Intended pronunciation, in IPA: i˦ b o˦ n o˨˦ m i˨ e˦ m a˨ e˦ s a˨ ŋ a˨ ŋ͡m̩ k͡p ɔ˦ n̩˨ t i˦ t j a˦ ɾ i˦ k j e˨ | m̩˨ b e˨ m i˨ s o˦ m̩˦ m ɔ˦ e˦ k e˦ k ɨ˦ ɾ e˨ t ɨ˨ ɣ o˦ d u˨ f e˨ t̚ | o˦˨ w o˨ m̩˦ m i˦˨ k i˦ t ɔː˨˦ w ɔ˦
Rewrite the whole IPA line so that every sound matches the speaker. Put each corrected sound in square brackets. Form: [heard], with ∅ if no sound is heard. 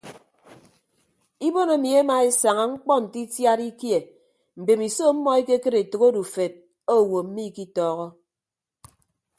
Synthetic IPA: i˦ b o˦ n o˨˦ m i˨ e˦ m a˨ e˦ s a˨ ŋ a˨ ŋ͡m̩ k͡p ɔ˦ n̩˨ t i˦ t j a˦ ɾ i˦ k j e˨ | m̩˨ b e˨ m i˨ s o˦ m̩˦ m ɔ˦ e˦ k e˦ k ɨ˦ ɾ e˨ t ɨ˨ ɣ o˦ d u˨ f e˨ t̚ | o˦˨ w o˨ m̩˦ m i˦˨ k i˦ t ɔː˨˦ [ɣ] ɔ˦

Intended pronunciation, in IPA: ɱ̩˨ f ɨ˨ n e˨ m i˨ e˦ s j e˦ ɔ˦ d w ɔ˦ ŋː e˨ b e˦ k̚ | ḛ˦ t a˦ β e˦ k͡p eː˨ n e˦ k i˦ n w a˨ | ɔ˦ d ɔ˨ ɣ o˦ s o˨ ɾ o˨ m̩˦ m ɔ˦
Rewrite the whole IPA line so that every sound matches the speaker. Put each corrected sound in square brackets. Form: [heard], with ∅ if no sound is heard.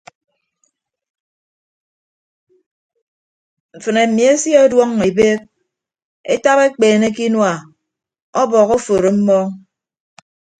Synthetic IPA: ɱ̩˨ f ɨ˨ n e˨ m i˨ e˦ s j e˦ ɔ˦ d w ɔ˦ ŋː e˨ b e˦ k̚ | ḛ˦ t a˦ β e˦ k͡p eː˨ n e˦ k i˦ n w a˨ | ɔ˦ [b] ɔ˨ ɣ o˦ [f] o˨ ɾ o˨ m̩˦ m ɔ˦

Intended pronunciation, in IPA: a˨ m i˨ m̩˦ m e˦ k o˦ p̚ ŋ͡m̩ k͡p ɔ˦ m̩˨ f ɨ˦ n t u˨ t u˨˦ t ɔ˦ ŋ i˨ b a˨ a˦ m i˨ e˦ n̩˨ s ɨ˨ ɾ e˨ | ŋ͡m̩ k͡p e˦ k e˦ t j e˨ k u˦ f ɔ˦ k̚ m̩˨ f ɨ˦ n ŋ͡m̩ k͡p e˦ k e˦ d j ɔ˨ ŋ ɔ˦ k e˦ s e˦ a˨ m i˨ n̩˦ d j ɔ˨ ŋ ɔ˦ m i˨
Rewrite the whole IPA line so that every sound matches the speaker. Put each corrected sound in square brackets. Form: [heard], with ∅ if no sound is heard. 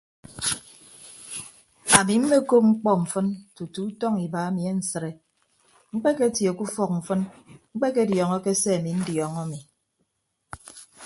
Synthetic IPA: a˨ m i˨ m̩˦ m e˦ k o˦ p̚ ŋ͡m̩ k͡p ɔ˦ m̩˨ f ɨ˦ n t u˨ t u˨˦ t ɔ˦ ŋ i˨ b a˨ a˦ m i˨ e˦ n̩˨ s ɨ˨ ɾ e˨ | ŋ͡m̩ k͡p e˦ k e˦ t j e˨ k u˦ f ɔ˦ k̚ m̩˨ f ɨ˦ n ŋ͡m̩ k͡p e˦ k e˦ d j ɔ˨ ŋ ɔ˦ k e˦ s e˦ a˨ m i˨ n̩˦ d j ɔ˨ ŋ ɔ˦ m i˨

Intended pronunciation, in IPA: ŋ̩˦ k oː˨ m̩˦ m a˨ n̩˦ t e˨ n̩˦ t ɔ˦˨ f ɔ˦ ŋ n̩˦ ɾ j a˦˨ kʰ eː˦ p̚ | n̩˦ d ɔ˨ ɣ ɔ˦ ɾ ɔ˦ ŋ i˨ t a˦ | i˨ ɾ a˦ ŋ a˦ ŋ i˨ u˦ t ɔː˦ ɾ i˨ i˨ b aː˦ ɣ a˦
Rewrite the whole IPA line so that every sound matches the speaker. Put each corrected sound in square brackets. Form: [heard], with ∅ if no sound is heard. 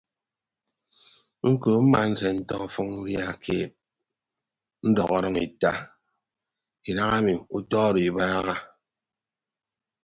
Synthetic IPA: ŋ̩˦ k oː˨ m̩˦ m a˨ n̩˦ [s] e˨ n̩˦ t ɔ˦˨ f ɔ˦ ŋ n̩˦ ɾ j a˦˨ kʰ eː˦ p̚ | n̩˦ d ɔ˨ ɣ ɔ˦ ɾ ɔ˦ ŋ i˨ t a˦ | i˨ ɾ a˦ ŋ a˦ [m] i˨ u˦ t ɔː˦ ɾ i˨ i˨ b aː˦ ɣ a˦

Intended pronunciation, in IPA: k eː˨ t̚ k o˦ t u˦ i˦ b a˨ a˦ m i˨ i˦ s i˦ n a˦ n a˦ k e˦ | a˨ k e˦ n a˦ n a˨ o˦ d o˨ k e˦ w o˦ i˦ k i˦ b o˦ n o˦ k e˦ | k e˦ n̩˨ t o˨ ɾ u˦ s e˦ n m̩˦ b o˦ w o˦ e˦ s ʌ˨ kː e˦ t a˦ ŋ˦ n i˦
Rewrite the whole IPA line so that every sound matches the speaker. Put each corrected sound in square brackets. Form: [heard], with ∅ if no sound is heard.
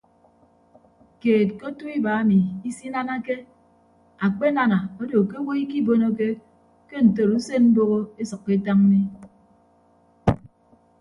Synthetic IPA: k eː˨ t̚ k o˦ t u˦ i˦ b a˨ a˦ m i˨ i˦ s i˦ n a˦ n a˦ k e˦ | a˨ [k͡p] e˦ n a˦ n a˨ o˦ d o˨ k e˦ w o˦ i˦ k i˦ b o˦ n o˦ k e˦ | k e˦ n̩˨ t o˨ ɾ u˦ s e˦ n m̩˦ b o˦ [ɣ] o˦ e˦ s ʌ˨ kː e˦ t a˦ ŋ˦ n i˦

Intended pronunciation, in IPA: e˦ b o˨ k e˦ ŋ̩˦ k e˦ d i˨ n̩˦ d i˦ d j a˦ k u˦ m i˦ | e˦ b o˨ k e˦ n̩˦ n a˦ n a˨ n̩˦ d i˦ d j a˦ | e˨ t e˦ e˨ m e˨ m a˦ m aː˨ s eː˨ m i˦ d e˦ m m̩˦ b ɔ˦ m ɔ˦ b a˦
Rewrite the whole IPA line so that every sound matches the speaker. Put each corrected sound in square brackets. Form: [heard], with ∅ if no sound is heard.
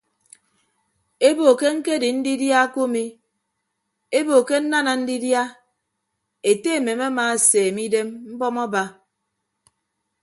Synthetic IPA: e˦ b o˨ k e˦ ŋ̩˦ k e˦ d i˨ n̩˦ d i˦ d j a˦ k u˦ m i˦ | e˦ b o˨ k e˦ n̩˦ n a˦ n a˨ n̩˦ d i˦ d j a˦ | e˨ t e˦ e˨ m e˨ m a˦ m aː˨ s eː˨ m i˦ d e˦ m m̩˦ b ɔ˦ m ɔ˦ b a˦

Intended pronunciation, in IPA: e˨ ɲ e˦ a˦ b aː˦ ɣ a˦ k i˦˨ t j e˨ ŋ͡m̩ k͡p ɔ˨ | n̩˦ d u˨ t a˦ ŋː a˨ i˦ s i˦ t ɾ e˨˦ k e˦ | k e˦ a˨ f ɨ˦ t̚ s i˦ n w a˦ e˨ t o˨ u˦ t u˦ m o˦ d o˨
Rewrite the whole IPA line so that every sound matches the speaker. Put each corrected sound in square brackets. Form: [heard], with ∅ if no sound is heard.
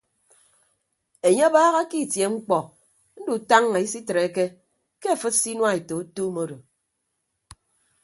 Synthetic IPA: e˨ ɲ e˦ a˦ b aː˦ ɣ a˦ k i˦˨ t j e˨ ŋ͡m̩ k͡p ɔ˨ | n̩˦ d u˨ t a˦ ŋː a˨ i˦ s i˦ t ɾ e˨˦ k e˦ | k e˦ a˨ f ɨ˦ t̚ s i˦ n w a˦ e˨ t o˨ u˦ t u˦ m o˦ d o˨

